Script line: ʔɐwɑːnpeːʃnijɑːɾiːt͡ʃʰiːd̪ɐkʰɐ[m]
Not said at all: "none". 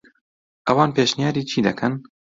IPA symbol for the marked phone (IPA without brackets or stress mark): n